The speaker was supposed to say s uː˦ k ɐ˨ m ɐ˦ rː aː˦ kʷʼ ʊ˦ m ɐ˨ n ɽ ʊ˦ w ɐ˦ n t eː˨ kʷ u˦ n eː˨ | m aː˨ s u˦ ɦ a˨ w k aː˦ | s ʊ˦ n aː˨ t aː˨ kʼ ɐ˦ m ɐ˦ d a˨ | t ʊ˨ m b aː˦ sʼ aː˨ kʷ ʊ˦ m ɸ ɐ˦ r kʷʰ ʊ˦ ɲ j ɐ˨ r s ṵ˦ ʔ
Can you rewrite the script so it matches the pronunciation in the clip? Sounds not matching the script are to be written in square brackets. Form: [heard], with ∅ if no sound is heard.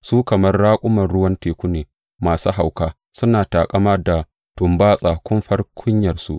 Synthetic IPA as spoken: s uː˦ k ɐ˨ m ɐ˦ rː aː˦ kʷʼ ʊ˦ m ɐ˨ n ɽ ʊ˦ w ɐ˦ n t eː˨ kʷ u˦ n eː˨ | m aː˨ s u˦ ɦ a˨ w k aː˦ | s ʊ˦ n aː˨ t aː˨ kʼ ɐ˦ m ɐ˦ d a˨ | t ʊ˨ m b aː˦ sʼ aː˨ kʷ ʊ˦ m ɸ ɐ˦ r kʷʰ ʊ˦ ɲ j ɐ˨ r s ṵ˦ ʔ